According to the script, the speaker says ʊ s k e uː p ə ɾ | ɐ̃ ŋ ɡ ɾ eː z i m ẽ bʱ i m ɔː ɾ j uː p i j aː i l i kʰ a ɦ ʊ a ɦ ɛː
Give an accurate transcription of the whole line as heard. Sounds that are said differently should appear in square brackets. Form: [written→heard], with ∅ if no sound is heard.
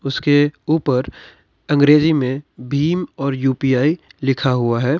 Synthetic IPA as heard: ʊ s k e uː p ə ɾ | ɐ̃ ŋ ɡ ɾ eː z i m ẽ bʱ [i→iː] m ɔː ɾ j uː p i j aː i l [i→ɪ] kʰ a ɦ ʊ a ɦ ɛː

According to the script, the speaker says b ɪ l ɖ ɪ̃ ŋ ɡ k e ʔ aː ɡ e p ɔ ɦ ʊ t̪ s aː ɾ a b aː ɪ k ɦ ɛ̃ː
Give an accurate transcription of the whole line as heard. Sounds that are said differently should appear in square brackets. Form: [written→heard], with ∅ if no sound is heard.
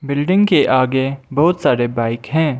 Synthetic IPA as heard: b ɪ l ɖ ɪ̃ ŋ ɡ k e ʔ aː ɡ e [p→b] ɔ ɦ ʊ t̪ s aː ɾ [a→e] b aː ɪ k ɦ ɛ̃ː

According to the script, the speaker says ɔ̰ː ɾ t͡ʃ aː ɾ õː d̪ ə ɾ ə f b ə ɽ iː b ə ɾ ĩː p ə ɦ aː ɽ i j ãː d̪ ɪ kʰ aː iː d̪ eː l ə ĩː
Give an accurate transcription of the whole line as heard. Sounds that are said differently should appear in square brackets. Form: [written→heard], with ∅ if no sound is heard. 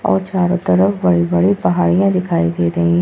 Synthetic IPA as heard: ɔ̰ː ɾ t͡ʃ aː ɾ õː [d̪→t̪] ə ɾ ə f b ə ɽ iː b ə [ɾ→ɽ] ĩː p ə ɦ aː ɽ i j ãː d̪ ɪ kʰ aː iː d̪ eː [l→ɾ] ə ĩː

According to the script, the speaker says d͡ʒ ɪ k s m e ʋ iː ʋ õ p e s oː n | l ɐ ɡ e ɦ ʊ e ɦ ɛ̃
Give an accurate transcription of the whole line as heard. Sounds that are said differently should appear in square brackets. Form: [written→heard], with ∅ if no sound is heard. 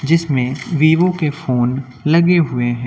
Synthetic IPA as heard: d͡ʒ ɪ [k→∅] s m [e→ẽ] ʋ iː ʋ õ [p→k] e [s→f] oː n | l ɐ ɡ e ɦ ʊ e ɦ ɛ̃

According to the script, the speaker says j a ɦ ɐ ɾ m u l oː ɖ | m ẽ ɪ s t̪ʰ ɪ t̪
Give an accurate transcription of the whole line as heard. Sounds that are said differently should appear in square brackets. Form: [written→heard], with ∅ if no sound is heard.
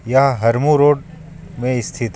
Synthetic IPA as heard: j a ɦ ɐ ɾ m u [l→ɾ] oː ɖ | m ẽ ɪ s t̪ʰ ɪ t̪

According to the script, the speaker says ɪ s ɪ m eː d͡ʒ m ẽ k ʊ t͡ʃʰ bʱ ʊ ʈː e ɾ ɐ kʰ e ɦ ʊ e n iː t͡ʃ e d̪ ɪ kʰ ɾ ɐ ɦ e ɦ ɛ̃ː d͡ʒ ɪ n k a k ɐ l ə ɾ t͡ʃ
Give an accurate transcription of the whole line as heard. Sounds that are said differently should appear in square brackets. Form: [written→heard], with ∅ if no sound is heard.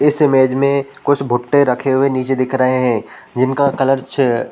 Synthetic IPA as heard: ɪ s ɪ m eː d͡ʒ m ẽ k ʊ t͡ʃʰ bʱ ʊ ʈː e ɾ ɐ kʰ e ɦ ʊ e n iː t͡ʃ e d̪ ɪ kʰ ɾ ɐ ɦ e ɦ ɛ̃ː d͡ʒ ɪ n k a k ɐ l ə ɾ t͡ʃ

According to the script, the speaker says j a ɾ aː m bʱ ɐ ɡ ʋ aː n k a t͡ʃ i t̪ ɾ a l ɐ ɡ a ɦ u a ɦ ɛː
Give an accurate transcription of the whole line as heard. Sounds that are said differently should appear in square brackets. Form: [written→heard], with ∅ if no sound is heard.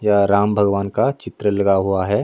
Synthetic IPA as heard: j a ɾ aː m bʱ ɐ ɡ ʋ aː n k a t͡ʃ [i→ɪ] t̪ ɾ [a→ə] l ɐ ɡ a ɦ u a ɦ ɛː

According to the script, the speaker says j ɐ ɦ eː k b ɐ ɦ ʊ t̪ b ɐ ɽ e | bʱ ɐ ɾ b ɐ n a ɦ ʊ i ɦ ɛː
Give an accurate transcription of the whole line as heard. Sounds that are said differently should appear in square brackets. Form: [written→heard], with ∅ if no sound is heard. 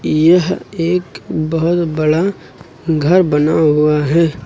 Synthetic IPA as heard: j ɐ ɦ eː k b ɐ ɦ ʊ t̪ b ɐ ɽ [e→a] | [bʱ→ɡʱ] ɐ ɾ b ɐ n a ɦ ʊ [i→a] ɦ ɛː

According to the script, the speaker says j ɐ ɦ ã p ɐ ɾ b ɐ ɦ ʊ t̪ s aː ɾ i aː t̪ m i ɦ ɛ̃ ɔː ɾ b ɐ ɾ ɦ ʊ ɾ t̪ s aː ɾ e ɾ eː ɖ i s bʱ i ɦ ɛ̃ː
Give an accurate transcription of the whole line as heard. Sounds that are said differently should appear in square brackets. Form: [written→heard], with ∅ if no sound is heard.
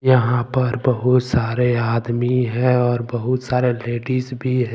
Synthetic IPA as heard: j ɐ ɦ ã p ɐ ɾ b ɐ ɦ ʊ t̪ s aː ɾ [i→e] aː [t̪→d̪] m i ɦ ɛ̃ ɔː ɾ b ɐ [ɾ→∅] ɦ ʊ [ɾ→∅] t̪ s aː ɾ e [ɾ→l] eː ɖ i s bʱ i ɦ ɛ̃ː

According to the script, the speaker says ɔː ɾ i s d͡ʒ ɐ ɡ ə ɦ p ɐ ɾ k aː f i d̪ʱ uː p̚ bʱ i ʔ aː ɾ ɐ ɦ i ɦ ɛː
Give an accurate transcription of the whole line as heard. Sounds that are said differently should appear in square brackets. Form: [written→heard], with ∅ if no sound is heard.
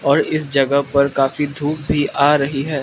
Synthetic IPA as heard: ɔː ɾ [i→ɪ] s d͡ʒ ɐ ɡ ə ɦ p ɐ ɾ k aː f i d̪ʱ uː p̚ bʱ i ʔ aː ɾ ɐ ɦ i ɦ ɛː

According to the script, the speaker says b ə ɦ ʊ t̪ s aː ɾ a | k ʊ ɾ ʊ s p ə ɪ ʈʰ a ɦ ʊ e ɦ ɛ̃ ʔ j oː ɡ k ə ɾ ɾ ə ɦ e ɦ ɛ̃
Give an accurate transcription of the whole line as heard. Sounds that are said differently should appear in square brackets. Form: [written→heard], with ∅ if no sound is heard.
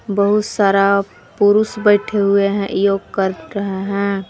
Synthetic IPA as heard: b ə ɦ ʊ t̪ s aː ɾ a | [k→p] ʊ ɾ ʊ s [p→b] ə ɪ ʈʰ [a→e] ɦ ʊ e ɦ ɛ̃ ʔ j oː ɡ k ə ɾ ɾ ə ɦ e ɦ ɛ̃

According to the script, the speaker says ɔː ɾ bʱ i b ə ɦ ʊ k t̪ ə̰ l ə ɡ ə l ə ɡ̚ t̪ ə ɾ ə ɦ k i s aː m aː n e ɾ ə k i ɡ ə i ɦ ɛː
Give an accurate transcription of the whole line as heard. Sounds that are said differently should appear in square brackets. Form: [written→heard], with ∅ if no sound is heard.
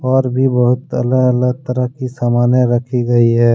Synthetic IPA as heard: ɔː ɾ bʱ i b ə ɦ ʊ [k→∅] t̪ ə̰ l ə ɡ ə l ə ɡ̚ t̪ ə ɾ ə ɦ k i s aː m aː n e ɾ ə [k→kʰ] i ɡ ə i ɦ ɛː

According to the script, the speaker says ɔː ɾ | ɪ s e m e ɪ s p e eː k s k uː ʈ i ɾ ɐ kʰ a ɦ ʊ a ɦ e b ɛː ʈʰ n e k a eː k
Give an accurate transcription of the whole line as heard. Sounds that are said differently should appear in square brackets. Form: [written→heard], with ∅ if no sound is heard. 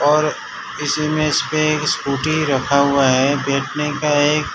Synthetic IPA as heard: ɔː ɾ | ɪ s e m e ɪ s p e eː k s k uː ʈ i ɾ ɐ kʰ a ɦ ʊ a ɦ [e→ɛ] b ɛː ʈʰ n e k a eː k

